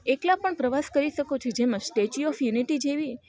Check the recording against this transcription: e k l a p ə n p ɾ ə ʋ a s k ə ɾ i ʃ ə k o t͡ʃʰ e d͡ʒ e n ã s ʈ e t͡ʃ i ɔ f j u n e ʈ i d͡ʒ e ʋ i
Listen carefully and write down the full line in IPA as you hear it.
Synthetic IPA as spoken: e k l a p ə ɳ p ɾ ə ʋ a s k ə ɾ i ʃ ə k o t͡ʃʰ e d͡ʒ e m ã s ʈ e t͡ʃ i ɔ f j u n i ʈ i d͡ʒ e ʋ i

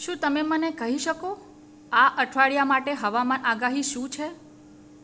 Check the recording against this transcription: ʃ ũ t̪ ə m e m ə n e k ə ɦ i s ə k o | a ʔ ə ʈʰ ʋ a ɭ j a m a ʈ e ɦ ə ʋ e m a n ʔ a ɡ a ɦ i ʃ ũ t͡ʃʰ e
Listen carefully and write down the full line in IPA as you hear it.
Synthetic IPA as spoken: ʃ ũ t̪ ə m e m ə n e k ə ɦ i ʃ ə k o | a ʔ ə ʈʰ ʋ a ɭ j a m a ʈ e ɦ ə ʋ a m a n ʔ a ɡ a ɦ i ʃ ũ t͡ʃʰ e

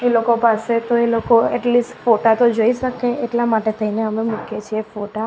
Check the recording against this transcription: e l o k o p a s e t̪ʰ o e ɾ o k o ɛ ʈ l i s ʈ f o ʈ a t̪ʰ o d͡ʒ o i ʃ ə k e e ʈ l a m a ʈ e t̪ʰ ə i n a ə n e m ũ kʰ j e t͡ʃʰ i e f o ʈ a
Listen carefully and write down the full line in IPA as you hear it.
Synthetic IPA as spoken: e l o k o p a s e t̪ o e l o k o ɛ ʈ l i s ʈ f o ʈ a t̪ o d͡ʒ o i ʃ ə k e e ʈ l a m a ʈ e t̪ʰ ə i n e ə m e m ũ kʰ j e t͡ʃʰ i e f o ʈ a

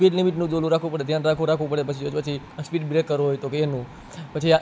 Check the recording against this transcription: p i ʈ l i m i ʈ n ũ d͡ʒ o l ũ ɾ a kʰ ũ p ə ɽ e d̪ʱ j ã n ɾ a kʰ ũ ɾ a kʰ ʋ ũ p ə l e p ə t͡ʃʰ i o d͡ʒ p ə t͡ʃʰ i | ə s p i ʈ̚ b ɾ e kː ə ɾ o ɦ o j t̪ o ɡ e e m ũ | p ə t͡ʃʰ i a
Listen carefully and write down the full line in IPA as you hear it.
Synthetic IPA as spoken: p i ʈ l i m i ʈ n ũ d͡ʒ o l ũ ɾ a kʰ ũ p ə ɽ e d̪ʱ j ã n ɾ a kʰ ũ ɾ a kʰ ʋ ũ p ə ɽ e p ə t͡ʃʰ i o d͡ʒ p ə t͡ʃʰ i | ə s p i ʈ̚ b ɾ e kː ə ɾ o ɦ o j t̪ o k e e n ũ | p ə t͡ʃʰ i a

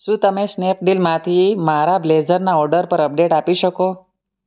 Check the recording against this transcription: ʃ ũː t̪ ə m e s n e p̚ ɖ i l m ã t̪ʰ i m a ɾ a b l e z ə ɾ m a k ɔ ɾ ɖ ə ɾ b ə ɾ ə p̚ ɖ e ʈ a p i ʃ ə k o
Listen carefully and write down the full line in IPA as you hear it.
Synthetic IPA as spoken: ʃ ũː t̪ ə m e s n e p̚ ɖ i l m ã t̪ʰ i m a ɾ a b l e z ə ɾ n a ɔ ɾ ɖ ə ɾ p ə ɾ ə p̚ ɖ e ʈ a p i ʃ ə k o

